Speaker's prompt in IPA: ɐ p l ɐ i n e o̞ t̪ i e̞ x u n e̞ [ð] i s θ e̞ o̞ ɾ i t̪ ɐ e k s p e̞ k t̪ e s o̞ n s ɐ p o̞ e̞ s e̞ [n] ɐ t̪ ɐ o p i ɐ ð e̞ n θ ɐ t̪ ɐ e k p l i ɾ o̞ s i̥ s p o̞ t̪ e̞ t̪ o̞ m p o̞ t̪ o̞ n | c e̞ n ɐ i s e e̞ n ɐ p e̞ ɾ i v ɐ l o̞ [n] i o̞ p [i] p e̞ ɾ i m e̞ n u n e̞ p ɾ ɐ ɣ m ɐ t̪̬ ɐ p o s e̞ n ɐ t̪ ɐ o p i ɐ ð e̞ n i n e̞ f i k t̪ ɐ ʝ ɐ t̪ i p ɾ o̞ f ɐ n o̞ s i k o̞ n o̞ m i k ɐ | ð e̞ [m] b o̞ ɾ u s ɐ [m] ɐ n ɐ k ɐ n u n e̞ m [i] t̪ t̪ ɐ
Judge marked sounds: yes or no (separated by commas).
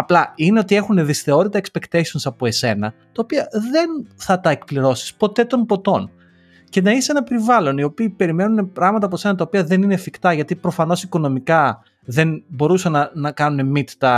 yes, yes, yes, no, no, no, yes